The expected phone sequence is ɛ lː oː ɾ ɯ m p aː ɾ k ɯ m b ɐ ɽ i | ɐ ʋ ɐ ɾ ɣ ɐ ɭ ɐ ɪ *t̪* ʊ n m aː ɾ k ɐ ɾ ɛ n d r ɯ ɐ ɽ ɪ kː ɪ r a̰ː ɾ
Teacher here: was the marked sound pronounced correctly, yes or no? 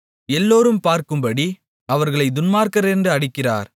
no